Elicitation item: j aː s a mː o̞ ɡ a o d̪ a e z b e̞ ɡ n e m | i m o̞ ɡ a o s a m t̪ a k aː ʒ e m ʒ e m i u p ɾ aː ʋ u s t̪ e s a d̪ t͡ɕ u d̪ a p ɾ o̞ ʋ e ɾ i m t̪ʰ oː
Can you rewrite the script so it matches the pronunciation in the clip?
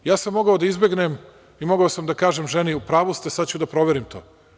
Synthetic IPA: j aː s a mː o̞ ɡ a o d̪ a i z b e̞ ɡ n e m | i m o̞ ɡ a o s a m d̪ a k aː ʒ e m ʒ e n i u p ɾ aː ʋ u s t̪ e s a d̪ t͡ɕ u d̪ a p ɾ o̞ ʋ e ɾ i m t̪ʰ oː